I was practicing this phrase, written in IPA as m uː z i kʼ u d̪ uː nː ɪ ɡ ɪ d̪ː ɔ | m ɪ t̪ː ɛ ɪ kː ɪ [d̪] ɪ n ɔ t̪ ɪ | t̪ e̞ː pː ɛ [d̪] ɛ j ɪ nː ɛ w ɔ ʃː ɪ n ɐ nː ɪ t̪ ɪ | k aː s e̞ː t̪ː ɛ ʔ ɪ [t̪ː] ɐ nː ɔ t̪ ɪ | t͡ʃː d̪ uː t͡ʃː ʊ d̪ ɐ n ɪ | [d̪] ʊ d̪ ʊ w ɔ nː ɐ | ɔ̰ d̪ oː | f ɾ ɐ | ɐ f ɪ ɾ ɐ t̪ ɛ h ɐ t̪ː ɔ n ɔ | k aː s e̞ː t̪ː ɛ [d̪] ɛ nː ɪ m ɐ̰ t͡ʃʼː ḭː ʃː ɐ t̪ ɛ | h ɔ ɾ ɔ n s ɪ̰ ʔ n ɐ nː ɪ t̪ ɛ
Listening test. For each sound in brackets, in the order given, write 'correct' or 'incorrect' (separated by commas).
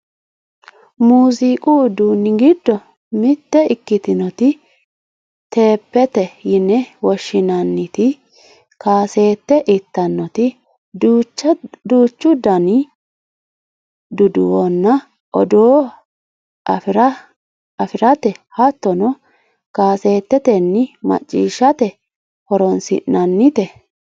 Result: incorrect, incorrect, correct, correct, incorrect